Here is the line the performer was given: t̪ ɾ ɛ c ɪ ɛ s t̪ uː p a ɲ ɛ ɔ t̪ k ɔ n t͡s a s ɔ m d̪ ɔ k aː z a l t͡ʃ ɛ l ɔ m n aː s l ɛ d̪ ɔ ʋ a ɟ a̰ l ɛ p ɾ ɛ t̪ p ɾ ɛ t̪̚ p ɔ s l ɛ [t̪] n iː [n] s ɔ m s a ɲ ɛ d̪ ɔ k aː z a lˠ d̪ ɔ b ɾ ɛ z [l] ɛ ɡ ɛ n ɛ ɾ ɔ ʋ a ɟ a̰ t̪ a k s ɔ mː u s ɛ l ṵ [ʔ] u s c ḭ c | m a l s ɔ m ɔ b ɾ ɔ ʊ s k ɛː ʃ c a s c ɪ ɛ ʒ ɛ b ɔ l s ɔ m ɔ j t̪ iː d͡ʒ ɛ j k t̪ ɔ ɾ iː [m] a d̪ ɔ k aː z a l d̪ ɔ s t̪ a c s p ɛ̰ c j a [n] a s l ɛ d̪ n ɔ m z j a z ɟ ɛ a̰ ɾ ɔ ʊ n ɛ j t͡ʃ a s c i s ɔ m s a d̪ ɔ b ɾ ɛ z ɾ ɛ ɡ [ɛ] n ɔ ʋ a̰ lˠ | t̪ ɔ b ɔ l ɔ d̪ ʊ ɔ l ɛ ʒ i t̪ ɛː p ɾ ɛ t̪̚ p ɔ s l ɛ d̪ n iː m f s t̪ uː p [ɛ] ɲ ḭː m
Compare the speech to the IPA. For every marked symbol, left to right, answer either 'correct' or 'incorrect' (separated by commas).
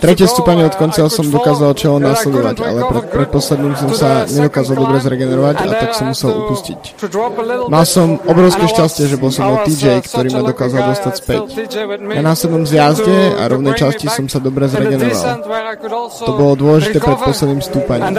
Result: incorrect, incorrect, incorrect, incorrect, correct, correct, correct, incorrect